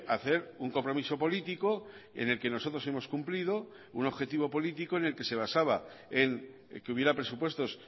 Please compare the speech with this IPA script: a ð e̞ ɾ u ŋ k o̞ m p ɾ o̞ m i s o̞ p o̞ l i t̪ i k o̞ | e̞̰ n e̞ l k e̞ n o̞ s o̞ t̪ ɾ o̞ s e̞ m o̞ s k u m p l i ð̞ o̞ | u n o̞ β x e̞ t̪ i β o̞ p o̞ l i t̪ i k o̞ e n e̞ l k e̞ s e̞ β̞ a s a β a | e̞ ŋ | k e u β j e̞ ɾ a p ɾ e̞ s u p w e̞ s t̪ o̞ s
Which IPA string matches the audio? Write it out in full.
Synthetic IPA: a θ e̞ ɾ u ŋ k o̞ m p ɾ o̞ m i s o̞ p o̞ l i t̪ i k o̞ | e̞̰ n e̞ l k e̞ n o̞ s o̞ t̪ ɾ o̞ s e̞ m o̞ s k u m p l i ð̞ o̞ | u n o̞ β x e̞ t̪ i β o̞ p o̞ l i t̪ i k o̞ e n e̞ l k e̞ s e̞ β̞ a s a β a | e̞ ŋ | k e u β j e̞ ɾ a p ɾ e̞ s u p w e̞ s t̪ o̞ s